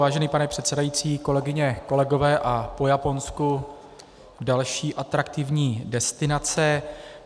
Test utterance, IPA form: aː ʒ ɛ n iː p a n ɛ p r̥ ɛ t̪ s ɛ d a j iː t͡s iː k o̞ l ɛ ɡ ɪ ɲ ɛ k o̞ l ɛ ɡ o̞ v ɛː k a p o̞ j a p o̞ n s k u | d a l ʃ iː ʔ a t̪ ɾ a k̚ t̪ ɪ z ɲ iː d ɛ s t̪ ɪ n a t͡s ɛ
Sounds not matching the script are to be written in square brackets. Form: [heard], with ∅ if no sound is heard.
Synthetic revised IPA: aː ʒ ɛ n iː p a n ɛ p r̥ ɛ t̪ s ɛ d a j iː t͡s iː k o̞ l ɛ ɡ ɪ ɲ ɛ k o̞ l ɛ ɡ o̞ v ɛː [ʔ] a p o̞ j a p o̞ n s k u | d a l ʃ iː ʔ a t̪ ɾ a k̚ t̪ ɪ [v] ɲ iː d ɛ s t̪ ɪ n a t͡s ɛ

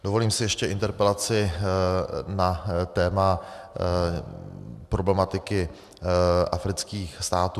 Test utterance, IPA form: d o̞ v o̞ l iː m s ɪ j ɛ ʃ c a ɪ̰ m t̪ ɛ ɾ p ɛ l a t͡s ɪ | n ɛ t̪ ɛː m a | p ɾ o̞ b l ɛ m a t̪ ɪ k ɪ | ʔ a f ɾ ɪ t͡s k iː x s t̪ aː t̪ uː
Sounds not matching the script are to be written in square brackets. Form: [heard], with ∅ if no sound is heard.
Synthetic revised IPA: d o̞ v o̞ l iː m s ɪ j ɛ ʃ c [ɛ] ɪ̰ [n] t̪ ɛ ɾ p ɛ l a t͡s ɪ | n [a] t̪ ɛː m a | p ɾ o̞ b l ɛ m a t̪ ɪ k ɪ | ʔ a f ɾ ɪ t͡s k iː x s t̪ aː t̪ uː

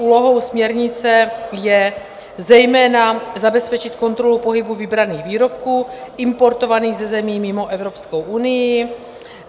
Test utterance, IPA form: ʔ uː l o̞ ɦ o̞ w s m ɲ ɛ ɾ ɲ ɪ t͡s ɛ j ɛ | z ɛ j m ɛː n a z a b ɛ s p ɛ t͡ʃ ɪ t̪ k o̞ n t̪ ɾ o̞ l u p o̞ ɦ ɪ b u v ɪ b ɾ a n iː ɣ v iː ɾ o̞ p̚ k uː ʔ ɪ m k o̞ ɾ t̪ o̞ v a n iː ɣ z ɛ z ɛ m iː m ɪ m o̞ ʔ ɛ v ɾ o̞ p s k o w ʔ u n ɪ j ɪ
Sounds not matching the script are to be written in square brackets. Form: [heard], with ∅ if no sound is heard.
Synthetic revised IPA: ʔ uː l o̞ ɦ o̞ w s m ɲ ɛ ɾ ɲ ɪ t͡s ɛ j ɛ | z ɛ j m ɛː n a z a b ɛ s p ɛ t͡ʃ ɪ t̪ k o̞ n t̪ ɾ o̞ l u p o̞ ɦ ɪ b u v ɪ b ɾ a n iː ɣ v iː ɾ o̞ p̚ k uː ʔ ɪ m [p] o̞ ɾ t̪ o̞ v a n iː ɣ z ɛ z ɛ m iː m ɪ m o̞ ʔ ɛ v ɾ o̞ p s k o w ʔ u n ɪ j ɪ

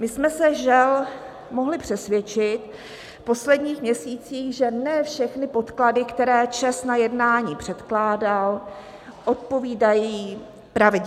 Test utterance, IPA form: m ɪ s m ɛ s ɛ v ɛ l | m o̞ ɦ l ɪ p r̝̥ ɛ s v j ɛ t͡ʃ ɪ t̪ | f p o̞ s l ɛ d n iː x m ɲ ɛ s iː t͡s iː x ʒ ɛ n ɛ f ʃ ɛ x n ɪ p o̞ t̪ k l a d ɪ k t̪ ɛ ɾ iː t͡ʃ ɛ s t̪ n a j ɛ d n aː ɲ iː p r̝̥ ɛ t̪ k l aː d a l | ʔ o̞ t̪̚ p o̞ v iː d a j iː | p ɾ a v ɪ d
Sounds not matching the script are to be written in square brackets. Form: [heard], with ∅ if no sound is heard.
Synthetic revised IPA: m ɪ s m ɛ s ɛ [ʒ] ɛ l | m o̞ ɦ l ɪ p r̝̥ ɛ s v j ɛ t͡ʃ ɪ t̪ | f p o̞ s l ɛ d [ɲ] iː x m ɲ ɛ s iː t͡s iː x ʒ ɛ n ɛ f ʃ ɛ x n ɪ p o̞ t̪ k l a d ɪ k t̪ ɛ ɾ [ɛː] t͡ʃ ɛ s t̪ n a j ɛ d n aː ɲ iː p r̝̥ ɛ t̪ k l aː d a l | ʔ o̞ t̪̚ p o̞ v iː d a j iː | p ɾ a v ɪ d

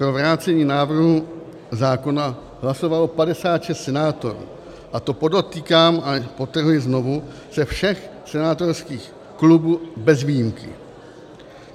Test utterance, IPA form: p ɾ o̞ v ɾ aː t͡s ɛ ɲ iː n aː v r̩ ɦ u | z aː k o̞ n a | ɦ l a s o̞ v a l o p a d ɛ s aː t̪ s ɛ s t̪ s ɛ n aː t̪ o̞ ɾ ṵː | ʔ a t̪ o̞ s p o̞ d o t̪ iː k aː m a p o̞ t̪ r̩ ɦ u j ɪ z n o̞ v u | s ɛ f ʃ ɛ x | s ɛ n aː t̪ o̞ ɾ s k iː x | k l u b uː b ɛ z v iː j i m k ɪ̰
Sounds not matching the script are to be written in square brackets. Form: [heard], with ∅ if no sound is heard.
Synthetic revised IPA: p ɾ o̞ v ɾ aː t͡s ɛ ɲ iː n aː v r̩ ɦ u | z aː k o̞ n a | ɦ l a s o̞ v a l o p a d ɛ s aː t̪ [ʃ] ɛ s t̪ s ɛ n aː t̪ o̞ ɾ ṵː | ʔ a t̪ o̞ [∅] p o̞ d o t̪ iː k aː m a p o̞ t̪ r̩ ɦ u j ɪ z n o̞ v u | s ɛ f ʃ ɛ x | s ɛ n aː t̪ o̞ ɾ s k iː x | k l u b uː b ɛ z v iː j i m k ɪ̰

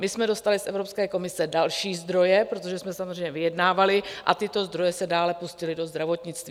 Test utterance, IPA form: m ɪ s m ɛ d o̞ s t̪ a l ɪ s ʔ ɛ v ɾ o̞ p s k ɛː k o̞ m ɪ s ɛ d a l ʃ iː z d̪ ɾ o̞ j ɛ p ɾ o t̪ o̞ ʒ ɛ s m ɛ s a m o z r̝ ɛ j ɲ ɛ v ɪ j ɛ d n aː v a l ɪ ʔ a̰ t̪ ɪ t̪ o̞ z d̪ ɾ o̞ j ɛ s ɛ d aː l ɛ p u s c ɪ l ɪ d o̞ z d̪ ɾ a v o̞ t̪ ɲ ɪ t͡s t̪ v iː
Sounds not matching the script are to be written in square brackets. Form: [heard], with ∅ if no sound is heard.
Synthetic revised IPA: m ɪ s m ɛ d o̞ s t̪ a l ɪ s ʔ ɛ v ɾ o̞ p s k ɛː k o̞ m ɪ s ɛ d a l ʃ iː z d̪ ɾ o̞ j ɛ p ɾ o t̪ o̞ ʒ ɛ s m ɛ s a m o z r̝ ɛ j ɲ ɛ v ɪ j ɛ d n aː v a l ɪ ʔ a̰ t̪ ɪ t̪ o̞ z d̪ ɾ o̞ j ɛ s ɛ d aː l ɛ p u s c ɪ l ɪ d o̞ z d̪ ɾ a v o̞ t̪ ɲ ɪ t͡s t̪ v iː

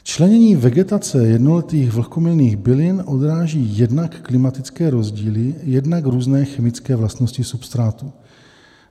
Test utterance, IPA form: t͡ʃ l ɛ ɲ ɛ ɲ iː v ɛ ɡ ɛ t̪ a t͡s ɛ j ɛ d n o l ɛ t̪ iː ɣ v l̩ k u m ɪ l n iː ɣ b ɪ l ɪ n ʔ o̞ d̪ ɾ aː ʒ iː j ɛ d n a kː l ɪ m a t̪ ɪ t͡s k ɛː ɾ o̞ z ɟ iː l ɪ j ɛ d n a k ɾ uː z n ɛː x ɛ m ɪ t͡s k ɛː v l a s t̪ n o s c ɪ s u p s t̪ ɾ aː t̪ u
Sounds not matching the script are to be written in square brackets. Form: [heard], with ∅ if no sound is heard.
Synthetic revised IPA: t͡ʃ l ɛ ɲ ɛ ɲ iː v ɛ ɡ ɛ t̪ a t͡s ɛ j ɛ d n o l ɛ t̪ iː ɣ v l̩ k [o] m ɪ l n iː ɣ b ɪ l ɪ n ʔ o̞ d̪ ɾ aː ʒ iː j ɛ d n a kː l ɪ m a t̪ ɪ t͡s k ɛː ɾ o̞ z ɟ iː l ɪ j ɛ d n a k ɾ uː z n ɛː x ɛ m ɪ t͡s k ɛː v l a s t̪ n o s c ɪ s u p s t̪ ɾ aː t̪ u

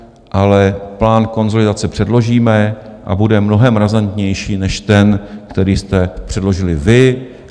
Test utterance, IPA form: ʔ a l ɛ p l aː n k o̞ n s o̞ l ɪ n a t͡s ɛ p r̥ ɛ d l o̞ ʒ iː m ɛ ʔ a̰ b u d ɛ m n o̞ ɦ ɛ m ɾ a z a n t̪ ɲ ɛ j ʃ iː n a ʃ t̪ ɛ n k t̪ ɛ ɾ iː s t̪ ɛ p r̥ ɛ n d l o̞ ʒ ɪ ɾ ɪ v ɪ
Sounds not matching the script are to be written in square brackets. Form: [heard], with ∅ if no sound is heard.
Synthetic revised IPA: ʔ a l ɛ p l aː n k o̞ n [z] o̞ l ɪ [d] a t͡s ɛ p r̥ ɛ d l o̞ ʒ iː m ɛ ʔ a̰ b u d ɛ m n o̞ ɦ ɛ m ɾ a z a n t̪ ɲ ɛ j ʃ iː n [ɛ] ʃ t̪ ɛ n k t̪ ɛ ɾ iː s t̪ ɛ p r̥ ɛ [∅] d l o̞ ʒ ɪ [l] ɪ v ɪ

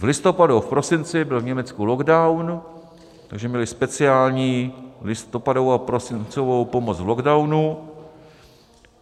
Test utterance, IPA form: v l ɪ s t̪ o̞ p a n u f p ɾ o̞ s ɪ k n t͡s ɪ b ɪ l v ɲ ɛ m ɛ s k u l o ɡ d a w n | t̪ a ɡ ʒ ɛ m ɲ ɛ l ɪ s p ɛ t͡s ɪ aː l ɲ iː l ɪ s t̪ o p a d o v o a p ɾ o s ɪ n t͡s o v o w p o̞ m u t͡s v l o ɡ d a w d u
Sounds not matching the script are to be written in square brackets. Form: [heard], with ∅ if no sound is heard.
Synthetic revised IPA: v l ɪ s t̪ o̞ p a [d] u f p ɾ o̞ s ɪ [∅] n t͡s ɪ b ɪ l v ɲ ɛ m ɛ [t͡s] k u l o ɡ d a w n | t̪ a ɡ ʒ ɛ m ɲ ɛ l ɪ s p ɛ t͡s ɪ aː l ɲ iː l ɪ s t̪ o p a d o v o a p ɾ o s ɪ n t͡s o v o w p o̞ m [o] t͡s v l o ɡ d a w [n] u

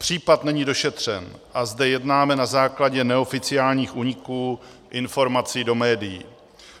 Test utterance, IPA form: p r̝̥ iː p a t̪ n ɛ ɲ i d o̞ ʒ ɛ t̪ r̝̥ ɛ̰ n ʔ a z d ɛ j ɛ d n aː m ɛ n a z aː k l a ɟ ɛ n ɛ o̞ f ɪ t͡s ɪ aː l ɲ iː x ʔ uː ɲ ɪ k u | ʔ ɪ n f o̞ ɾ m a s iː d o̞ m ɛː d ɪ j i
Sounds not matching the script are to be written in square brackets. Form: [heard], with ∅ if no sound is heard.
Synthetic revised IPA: p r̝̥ iː p a t̪ n ɛ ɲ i d o̞ [ʃ] ɛ t̪ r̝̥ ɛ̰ n ʔ a z d ɛ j ɛ d n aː m ɛ n a z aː k l a ɟ ɛ n ɛ o̞ f ɪ t͡s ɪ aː l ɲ iː x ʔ uː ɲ ɪ k [uː] | ʔ ɪ n f o̞ ɾ m a [t͡s] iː d o̞ m ɛː d ɪ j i

